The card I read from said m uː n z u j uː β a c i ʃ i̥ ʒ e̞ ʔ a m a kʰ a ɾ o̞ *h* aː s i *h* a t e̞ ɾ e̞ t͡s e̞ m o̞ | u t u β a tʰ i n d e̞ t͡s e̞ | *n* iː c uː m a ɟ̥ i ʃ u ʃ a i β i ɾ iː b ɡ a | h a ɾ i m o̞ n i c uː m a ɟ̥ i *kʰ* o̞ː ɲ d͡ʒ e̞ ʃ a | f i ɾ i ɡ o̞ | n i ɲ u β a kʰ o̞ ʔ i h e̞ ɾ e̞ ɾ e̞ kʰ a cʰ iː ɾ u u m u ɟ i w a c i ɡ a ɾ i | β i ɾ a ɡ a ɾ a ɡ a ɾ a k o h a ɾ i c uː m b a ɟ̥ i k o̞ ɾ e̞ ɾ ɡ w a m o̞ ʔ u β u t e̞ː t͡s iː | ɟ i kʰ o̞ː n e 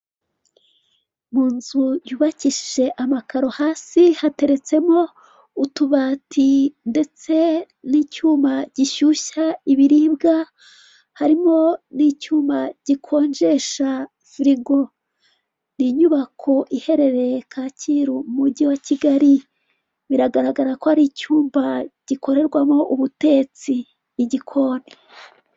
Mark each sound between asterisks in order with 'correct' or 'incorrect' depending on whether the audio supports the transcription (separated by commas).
correct, correct, correct, correct